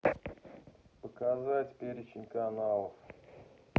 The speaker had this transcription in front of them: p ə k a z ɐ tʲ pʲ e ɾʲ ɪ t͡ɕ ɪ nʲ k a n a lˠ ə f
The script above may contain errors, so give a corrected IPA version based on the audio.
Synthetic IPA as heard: p ə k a z a tʲ pʲ e ɾʲ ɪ t͡ɕ ɪ nʲ k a n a lˠ ə f